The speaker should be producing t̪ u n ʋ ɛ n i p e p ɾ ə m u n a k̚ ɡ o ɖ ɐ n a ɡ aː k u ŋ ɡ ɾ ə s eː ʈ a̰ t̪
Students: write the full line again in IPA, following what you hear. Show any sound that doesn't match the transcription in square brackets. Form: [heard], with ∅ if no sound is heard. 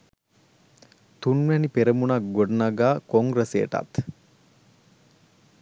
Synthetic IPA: t̪ u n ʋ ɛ n i p e [∅] ɾ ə m u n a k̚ ɡ o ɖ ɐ n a ɡ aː k [o] ŋ ɡ ɾ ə s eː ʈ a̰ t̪